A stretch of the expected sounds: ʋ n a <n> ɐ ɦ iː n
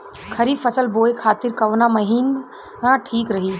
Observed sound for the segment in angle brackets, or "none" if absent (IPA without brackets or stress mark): m